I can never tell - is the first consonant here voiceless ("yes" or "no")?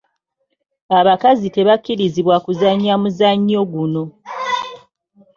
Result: no